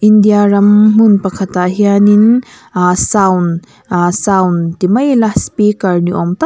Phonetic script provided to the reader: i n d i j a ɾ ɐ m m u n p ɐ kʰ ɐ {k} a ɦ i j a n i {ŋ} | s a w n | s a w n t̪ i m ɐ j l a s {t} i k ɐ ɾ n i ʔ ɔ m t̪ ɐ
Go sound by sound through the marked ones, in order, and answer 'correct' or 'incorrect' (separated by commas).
incorrect, incorrect, incorrect